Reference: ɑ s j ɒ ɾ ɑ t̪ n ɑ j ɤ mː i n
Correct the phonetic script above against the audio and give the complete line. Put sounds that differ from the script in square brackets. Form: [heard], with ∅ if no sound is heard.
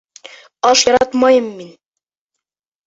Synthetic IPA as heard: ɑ [ʃ] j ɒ ɾ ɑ t̪ [m] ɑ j ɤ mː i n